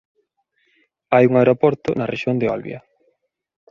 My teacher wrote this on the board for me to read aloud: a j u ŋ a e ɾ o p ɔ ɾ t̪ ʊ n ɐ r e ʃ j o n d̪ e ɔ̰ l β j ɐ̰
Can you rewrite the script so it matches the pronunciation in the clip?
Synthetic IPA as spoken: a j u ŋ a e ɾ o p ɔ ɾ t̪ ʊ n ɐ r e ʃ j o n d̪ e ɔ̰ l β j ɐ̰